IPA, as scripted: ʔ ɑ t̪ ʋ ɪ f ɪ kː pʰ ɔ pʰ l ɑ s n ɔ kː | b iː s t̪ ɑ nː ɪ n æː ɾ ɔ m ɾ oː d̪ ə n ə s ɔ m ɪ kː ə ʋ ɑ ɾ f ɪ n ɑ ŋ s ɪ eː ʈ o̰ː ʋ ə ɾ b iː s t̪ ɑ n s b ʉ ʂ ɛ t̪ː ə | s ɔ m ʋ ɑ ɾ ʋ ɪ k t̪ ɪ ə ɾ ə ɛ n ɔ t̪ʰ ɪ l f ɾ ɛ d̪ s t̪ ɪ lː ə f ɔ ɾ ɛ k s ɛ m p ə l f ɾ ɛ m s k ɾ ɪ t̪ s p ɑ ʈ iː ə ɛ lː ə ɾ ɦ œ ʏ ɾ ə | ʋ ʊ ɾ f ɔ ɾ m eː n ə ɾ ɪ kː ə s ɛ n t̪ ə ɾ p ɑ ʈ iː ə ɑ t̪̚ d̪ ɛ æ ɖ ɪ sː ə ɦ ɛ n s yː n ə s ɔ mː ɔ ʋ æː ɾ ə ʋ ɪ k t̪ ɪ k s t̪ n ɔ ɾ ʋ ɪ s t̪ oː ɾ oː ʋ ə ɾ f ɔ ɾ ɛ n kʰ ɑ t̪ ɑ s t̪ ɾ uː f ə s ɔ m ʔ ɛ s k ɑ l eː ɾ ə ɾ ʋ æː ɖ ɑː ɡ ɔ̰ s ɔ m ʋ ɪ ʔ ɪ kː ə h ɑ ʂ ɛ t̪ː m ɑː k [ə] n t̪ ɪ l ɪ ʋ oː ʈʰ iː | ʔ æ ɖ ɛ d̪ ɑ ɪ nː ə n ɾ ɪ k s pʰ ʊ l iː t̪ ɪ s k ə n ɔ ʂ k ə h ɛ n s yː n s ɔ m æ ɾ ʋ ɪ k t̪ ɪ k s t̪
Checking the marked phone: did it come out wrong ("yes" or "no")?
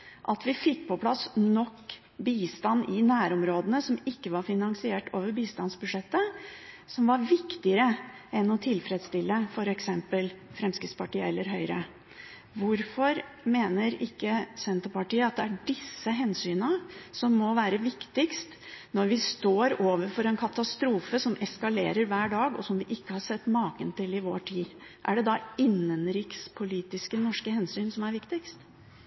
no